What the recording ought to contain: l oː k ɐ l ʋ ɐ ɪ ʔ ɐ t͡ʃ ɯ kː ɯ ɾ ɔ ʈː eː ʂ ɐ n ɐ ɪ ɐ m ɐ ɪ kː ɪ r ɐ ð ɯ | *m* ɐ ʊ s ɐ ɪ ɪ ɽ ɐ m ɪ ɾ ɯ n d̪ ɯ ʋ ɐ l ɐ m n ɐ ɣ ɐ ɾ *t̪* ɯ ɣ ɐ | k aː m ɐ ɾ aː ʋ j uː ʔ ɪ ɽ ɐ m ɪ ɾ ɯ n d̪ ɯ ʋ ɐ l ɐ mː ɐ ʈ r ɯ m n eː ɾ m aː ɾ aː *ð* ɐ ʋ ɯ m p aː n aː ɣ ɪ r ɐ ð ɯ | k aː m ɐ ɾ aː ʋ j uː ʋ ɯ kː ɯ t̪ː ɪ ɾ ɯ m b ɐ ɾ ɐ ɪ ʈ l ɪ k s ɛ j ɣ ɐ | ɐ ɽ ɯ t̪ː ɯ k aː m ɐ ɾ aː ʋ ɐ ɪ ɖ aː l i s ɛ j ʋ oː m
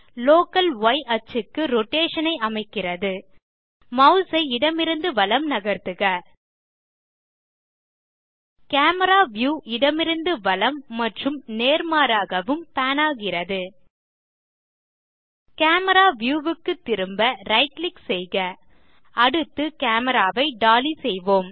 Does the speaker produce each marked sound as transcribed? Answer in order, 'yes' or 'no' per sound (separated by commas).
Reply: yes, yes, no